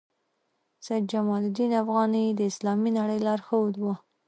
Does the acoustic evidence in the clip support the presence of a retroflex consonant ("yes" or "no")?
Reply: yes